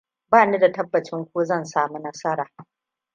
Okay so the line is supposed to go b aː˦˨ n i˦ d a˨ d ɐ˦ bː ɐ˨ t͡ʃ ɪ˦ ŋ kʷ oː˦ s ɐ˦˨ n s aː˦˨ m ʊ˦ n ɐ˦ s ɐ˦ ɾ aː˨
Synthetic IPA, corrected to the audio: b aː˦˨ n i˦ d a˨ t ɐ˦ bː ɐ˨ t͡ʃ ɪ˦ ŋ kʷ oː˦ z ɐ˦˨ n s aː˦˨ m u˦ n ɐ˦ s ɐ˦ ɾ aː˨